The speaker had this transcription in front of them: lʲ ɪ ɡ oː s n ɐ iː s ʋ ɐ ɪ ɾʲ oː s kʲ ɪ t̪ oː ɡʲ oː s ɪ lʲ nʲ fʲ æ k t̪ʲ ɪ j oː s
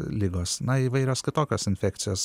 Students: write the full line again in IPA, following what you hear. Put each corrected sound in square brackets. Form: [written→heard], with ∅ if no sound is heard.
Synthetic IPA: lʲ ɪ ɡ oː s n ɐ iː [s→∅] ʋ ɐ ɪ ɾʲ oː s kʲ ɪ t̪ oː [ɡʲ→kʲ] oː s ɪ [lʲ→∅] nʲ fʲ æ k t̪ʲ ɪ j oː s